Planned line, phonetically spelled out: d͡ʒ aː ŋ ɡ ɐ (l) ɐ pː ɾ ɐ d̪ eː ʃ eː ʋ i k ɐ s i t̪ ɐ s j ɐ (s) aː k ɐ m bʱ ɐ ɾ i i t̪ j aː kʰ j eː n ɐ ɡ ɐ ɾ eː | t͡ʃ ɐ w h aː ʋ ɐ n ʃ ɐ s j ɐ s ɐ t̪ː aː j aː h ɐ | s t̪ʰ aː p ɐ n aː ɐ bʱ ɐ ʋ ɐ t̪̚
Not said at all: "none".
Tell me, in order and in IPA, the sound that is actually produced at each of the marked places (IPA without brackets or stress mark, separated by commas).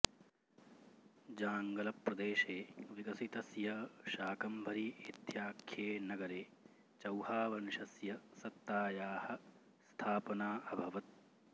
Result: l, ʃ